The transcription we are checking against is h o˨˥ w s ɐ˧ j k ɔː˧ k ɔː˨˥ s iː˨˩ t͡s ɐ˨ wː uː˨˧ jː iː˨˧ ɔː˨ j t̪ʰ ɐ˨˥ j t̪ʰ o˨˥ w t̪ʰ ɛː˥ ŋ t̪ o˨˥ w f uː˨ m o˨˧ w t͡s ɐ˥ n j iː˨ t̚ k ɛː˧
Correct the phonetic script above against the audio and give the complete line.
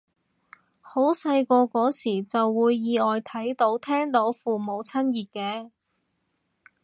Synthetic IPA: h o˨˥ w s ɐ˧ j k ɔː˧ k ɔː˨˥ s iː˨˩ t͡s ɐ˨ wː uː˨˧ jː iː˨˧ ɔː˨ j t̪ʰ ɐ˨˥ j t̪ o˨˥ w t̪ʰ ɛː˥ ŋ t̪ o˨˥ w f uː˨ m o˨˧ w t͡sʰ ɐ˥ n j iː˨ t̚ k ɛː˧